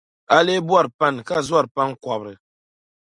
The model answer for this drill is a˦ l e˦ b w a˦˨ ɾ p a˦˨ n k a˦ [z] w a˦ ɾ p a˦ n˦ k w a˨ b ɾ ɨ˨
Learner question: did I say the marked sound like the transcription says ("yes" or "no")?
yes